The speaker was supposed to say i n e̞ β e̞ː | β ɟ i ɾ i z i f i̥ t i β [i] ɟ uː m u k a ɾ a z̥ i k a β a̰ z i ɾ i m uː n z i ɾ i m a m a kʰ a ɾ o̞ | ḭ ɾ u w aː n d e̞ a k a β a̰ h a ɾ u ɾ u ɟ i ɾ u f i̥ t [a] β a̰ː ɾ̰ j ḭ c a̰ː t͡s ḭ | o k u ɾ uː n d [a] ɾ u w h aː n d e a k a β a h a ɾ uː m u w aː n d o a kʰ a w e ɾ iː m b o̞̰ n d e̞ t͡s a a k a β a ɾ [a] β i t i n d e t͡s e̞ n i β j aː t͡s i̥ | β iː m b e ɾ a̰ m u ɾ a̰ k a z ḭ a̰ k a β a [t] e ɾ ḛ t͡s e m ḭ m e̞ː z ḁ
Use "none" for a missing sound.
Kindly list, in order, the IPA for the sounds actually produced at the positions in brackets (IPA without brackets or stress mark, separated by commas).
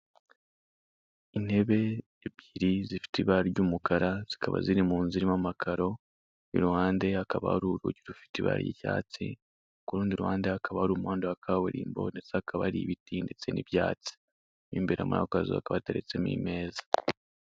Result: a, i, i, i, t